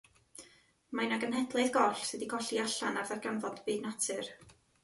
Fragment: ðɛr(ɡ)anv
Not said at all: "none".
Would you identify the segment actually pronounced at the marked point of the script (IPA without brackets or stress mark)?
ɡ